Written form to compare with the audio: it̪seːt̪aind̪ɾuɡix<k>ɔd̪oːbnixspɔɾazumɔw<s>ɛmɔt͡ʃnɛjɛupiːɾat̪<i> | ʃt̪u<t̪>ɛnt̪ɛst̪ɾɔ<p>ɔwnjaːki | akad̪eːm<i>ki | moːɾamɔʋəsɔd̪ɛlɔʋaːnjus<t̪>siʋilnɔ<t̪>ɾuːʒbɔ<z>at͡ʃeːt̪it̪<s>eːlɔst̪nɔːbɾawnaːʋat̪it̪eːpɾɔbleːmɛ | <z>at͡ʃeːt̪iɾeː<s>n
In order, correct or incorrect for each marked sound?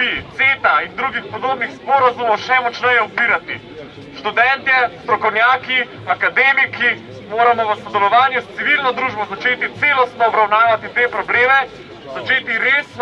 incorrect: p, incorrect: ʃ, correct, incorrect: d̪, incorrect: k, correct, correct, incorrect: d̪, correct, correct, correct, correct

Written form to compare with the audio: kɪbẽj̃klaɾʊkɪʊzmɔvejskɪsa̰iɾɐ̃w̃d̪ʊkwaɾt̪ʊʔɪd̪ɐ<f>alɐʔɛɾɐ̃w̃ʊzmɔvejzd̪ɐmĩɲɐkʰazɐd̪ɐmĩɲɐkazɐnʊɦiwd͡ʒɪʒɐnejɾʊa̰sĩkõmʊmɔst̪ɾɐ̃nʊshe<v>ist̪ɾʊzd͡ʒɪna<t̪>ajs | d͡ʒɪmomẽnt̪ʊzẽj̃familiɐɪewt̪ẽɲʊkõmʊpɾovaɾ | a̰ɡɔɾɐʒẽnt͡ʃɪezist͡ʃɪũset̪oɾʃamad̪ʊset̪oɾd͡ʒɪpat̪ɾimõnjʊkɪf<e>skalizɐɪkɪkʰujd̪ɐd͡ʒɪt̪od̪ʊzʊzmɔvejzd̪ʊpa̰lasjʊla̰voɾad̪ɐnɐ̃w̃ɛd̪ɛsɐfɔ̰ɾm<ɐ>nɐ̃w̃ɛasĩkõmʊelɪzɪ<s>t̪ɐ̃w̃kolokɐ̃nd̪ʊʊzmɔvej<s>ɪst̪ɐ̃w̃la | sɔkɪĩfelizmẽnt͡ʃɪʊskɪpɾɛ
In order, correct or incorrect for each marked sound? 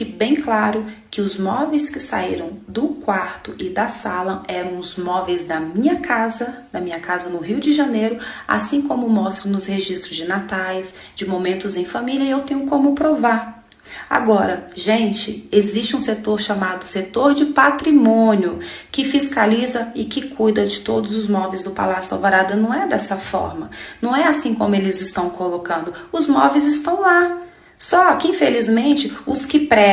incorrect: s, incorrect: ʒ, correct, incorrect: i, correct, correct, incorrect: z

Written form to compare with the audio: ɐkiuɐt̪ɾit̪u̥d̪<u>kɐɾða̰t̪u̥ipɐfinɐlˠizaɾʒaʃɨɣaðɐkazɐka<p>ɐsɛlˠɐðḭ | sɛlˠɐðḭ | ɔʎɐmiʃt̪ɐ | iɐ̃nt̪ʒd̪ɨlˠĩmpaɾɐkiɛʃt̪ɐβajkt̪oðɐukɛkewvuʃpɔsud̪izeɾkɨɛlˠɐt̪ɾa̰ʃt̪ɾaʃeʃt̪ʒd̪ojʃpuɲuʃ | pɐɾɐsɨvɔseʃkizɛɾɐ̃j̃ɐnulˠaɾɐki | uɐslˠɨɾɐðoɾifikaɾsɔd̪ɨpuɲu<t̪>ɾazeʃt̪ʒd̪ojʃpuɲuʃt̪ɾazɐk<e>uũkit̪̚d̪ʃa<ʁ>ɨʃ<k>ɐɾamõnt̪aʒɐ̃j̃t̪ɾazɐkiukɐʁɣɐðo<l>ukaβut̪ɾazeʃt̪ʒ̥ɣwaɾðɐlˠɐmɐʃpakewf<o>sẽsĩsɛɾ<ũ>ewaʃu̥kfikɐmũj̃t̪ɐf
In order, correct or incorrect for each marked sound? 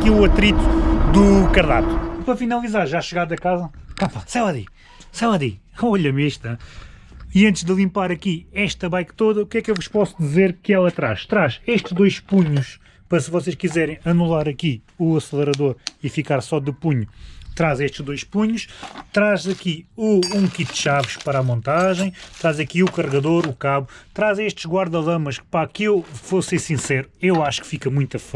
correct, correct, correct, incorrect: i, incorrect: v, incorrect: p, incorrect: ɾ, correct, incorrect: u

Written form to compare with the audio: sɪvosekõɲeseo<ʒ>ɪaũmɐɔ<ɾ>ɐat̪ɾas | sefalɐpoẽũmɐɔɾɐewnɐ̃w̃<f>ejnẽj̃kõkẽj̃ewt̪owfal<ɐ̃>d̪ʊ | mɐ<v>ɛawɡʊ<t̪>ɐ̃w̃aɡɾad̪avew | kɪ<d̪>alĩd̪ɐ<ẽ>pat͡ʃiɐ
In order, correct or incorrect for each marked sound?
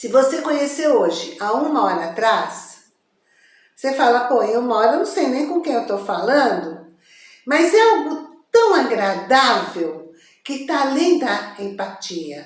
correct, correct, incorrect: s, correct, incorrect: z, correct, incorrect: t̪, correct

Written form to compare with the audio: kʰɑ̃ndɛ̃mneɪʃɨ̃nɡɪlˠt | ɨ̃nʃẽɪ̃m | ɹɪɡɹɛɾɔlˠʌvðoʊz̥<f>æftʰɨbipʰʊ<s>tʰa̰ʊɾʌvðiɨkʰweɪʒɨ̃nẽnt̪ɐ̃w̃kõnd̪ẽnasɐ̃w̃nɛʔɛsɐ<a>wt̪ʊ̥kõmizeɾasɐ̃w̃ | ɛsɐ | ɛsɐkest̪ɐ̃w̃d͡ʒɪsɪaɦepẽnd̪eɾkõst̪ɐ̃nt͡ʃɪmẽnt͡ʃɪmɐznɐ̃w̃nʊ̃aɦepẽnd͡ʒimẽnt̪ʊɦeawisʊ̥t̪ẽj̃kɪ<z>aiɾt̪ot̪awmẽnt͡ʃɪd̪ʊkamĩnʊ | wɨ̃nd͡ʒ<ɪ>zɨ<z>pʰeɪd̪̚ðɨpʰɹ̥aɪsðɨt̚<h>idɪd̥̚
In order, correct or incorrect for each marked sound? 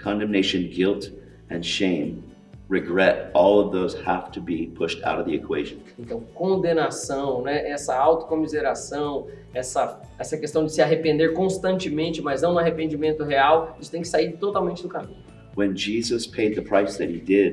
incorrect: h, incorrect: ʃ, correct, incorrect: s, incorrect: i, incorrect: s, correct

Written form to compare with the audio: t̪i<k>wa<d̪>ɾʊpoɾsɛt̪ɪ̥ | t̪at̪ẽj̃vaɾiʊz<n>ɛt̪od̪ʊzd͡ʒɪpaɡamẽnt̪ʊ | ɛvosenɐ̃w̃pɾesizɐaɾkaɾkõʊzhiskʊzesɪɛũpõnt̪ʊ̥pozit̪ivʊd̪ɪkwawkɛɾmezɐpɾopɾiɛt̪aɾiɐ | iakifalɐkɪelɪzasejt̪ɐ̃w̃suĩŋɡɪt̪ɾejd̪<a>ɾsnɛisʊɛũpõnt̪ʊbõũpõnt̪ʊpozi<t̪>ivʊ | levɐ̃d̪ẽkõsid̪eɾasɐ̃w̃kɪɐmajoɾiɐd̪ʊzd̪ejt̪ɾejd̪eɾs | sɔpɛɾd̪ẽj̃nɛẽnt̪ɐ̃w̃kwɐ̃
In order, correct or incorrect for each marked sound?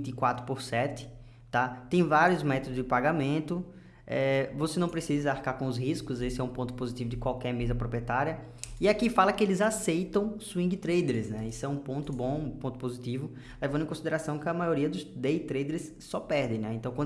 correct, incorrect: t̪, incorrect: m, incorrect: e, correct

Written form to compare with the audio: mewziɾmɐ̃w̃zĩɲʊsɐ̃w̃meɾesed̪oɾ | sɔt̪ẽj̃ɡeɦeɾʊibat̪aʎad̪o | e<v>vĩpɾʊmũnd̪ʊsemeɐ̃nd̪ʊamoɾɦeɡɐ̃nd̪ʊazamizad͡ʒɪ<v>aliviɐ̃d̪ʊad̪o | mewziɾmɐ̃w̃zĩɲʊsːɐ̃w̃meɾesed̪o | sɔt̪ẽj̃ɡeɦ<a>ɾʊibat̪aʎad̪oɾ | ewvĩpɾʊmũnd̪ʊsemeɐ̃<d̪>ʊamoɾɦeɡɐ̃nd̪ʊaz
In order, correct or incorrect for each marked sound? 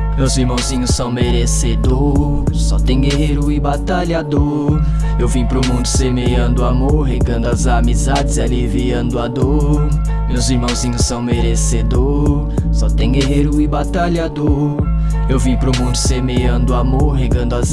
incorrect: w, incorrect: z, incorrect: e, correct

